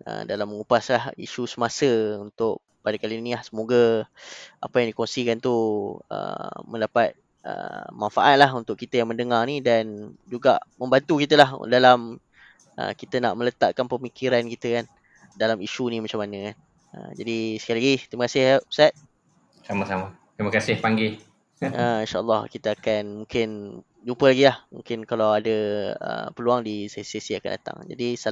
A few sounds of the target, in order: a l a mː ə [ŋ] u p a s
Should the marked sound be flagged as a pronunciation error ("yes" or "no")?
no